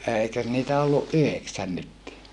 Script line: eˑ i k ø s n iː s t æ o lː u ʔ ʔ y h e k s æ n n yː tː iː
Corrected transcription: eˑ i k ø s n iː t æ o lː u ʔ ʔ y h e k s æ n n y tː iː